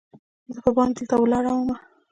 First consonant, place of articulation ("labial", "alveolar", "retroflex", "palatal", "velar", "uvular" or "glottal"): alveolar